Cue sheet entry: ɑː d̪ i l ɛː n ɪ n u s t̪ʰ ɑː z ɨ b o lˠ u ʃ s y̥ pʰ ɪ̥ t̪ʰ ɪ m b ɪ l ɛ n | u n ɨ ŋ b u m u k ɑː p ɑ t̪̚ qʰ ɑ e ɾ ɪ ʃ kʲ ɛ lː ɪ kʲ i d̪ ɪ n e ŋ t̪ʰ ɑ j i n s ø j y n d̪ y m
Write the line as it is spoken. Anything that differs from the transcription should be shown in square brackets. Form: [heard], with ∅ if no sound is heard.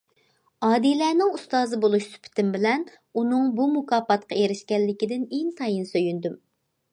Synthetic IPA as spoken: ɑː d̪ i l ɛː n ɪ [ŋ] u s [t̪] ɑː z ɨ b o lˠ u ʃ s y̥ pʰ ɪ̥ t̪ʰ ɪ m b ɪ l ɛ n | u n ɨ ŋ b u m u k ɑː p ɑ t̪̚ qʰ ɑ e ɾ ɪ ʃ kʲ ɛ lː ɪ kʲ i d̪ ɪ n e ŋ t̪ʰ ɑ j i n s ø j y n d̪ y m